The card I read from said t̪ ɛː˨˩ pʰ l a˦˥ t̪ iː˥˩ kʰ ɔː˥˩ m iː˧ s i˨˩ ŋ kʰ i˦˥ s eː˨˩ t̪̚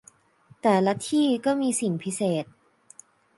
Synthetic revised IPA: t̪ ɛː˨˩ l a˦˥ t̪ʰ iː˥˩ k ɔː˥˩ m iː˧ s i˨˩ ŋ pʰ i˦˥ s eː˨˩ t̪̚